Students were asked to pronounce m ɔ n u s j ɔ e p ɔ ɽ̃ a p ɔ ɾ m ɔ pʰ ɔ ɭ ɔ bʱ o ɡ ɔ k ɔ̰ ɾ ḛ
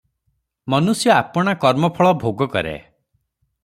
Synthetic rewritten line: m ɔ n u s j ɔ a p ɔ ɽ̃ a k ɔ ɾ m ɔ pʰ ɔ ɭ ɔ bʱ o ɡ ɔ k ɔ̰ ɾ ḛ